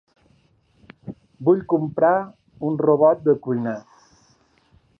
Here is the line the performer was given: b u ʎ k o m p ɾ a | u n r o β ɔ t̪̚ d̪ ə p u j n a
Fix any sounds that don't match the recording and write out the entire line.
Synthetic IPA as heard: b u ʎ k u m p ɾ a | u n r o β ɔ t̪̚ d̪ ə k u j n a